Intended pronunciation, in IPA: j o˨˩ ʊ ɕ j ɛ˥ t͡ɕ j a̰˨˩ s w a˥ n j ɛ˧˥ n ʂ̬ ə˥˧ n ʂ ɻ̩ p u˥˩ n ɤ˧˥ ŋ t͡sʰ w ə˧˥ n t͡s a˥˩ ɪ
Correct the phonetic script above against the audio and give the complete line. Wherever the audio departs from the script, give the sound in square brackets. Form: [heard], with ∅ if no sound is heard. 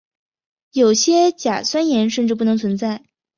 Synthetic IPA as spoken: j o˨˩ ʊ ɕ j ɛ˥ t͡ɕ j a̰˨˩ s w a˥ n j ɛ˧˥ n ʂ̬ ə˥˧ n [ʈ͡ʂ] ɻ̩ p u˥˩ n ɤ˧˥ ŋ t͡sʰ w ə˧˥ n t͡s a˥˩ ɪ